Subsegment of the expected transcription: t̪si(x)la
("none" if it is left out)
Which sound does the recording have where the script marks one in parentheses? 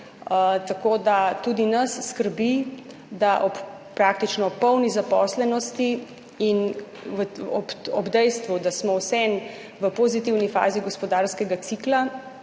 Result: k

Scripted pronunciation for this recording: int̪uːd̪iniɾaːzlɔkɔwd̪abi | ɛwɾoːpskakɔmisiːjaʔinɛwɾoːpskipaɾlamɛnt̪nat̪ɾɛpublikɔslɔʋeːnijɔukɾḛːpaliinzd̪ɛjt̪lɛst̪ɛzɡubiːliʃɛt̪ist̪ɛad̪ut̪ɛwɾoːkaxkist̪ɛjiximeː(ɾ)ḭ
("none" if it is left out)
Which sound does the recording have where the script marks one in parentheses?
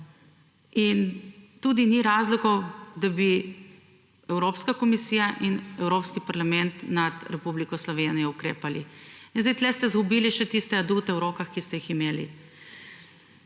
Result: l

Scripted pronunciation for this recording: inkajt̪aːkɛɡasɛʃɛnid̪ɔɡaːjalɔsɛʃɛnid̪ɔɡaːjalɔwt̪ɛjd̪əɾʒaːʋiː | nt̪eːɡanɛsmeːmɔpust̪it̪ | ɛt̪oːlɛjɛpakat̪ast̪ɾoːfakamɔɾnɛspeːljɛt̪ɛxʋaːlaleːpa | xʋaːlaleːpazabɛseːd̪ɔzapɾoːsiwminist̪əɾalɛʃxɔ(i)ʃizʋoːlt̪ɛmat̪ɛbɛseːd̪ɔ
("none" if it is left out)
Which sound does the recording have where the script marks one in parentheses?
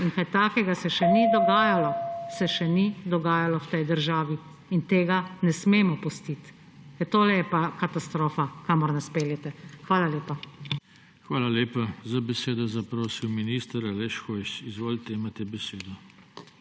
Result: j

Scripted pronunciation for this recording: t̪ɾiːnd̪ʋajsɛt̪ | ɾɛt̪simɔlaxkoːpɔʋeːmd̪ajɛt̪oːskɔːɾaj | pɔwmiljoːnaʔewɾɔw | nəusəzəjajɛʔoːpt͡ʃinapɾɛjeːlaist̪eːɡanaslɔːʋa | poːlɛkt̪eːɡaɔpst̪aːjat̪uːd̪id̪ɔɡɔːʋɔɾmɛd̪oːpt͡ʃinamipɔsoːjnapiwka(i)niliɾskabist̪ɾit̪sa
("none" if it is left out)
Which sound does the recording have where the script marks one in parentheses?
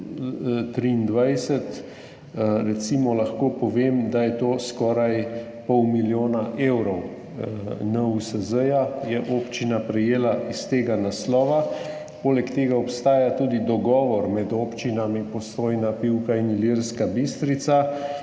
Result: i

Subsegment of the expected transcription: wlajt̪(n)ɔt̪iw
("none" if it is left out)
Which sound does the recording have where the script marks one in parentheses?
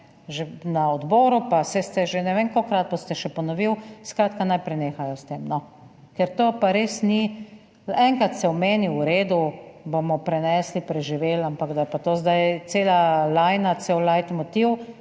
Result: m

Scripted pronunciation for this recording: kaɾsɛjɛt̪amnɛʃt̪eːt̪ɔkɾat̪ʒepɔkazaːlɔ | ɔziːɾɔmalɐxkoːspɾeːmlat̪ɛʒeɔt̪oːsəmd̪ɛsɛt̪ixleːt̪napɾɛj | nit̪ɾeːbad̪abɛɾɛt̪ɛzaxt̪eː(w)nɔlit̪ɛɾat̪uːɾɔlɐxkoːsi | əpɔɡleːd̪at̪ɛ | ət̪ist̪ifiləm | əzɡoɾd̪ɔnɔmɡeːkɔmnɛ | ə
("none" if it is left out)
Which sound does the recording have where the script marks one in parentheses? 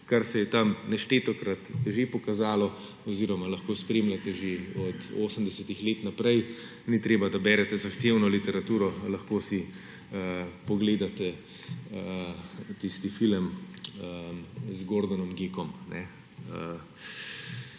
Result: w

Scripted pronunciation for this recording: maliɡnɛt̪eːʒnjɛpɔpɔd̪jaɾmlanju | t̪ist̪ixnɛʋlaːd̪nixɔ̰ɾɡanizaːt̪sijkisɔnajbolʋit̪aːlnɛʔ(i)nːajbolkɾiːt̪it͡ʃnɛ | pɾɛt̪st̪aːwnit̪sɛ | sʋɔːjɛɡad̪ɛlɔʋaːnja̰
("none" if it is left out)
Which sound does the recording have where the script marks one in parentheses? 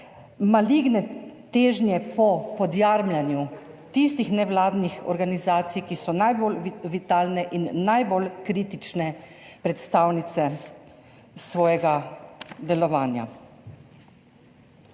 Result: i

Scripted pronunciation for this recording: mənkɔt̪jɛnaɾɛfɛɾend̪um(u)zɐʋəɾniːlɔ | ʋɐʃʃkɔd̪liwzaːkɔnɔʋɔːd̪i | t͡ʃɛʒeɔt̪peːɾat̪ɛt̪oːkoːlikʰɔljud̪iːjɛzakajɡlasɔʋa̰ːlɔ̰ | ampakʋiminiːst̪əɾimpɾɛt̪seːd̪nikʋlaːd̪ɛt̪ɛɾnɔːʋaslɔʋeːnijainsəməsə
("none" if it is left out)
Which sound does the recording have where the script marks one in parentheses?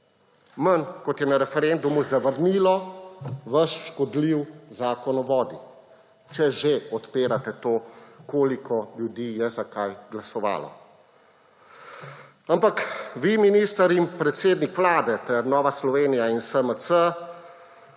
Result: u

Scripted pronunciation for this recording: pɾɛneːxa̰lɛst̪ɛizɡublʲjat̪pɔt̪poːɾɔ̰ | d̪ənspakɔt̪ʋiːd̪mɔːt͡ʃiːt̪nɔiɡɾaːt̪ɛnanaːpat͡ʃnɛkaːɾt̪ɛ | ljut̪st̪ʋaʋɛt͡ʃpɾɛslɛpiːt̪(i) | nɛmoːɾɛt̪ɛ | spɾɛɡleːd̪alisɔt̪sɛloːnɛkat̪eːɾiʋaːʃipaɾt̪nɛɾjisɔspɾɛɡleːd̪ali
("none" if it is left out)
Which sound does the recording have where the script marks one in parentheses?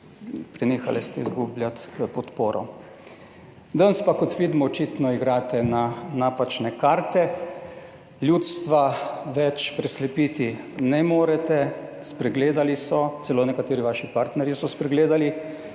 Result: i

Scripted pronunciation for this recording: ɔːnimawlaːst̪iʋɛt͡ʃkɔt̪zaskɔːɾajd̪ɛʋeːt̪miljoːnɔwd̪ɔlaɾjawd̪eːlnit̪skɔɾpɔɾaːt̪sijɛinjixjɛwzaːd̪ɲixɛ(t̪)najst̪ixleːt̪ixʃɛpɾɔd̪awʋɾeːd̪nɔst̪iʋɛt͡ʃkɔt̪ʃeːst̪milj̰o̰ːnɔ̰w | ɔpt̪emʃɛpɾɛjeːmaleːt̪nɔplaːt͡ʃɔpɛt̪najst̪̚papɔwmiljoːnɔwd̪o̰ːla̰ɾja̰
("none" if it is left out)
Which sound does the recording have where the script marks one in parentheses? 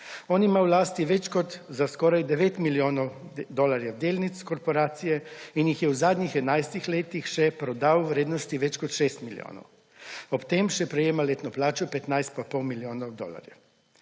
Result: d̪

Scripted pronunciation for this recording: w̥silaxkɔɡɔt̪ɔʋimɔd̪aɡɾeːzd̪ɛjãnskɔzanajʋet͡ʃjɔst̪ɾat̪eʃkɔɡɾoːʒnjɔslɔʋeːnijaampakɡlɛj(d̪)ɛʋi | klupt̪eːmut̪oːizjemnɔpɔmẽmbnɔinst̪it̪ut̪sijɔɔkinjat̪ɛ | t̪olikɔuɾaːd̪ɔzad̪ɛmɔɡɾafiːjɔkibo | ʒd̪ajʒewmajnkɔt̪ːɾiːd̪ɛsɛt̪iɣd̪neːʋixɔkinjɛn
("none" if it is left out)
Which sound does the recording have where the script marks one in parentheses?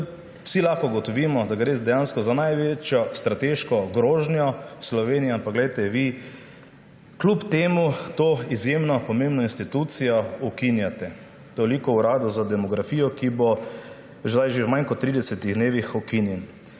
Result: t̪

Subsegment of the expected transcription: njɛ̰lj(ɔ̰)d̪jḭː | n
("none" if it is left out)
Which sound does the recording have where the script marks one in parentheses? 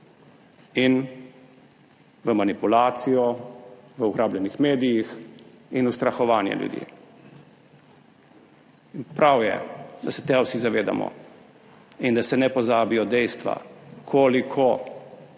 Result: ṵ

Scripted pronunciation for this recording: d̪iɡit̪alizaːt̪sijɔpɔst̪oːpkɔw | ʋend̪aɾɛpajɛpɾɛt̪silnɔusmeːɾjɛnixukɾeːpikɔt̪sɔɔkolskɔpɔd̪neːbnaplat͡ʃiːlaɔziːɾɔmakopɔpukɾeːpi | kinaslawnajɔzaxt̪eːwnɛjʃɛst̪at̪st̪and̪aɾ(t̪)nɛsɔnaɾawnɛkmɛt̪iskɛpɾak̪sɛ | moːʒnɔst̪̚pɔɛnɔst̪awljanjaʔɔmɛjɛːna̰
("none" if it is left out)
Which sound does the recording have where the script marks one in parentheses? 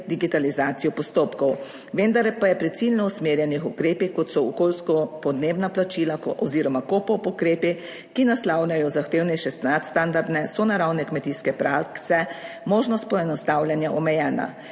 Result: d̪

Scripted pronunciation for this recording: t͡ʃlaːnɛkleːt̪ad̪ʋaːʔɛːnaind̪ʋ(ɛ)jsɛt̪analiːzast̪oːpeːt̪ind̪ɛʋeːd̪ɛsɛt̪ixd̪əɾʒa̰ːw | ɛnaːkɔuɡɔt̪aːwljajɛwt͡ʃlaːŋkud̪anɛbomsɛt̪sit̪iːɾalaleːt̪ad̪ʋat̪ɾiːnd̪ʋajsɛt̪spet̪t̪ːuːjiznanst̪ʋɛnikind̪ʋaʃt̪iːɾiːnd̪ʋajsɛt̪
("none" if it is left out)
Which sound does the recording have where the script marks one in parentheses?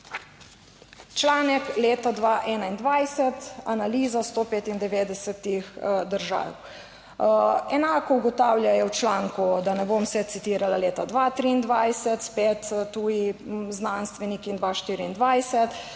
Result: a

